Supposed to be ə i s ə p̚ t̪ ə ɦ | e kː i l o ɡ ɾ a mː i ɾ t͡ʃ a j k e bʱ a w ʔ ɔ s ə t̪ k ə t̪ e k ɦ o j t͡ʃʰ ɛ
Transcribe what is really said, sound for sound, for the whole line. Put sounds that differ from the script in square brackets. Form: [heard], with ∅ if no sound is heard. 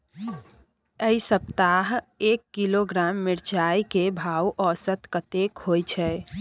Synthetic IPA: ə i s ə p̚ t̪ [a] ɦ | e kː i l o ɡ ɾ a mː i ɾ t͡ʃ a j k e bʱ a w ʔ ɔ s ə t̪ k ə t̪ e k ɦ o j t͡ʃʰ ɛ